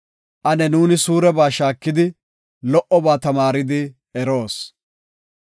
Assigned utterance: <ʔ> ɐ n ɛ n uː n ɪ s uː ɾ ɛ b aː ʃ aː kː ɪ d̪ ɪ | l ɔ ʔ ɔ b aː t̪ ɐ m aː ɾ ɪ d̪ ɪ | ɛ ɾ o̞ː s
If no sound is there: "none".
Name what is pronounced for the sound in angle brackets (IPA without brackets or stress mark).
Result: ʔ